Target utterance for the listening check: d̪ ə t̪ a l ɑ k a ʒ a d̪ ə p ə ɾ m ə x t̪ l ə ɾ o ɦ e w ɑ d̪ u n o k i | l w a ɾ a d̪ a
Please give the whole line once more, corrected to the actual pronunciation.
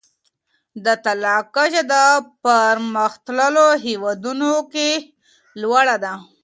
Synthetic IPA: d̪ ə t̪ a l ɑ k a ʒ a d̪ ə p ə ɾ m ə x t̪ l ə l o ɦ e w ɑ d̪ u n o k e | l w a ɽ a d̪ a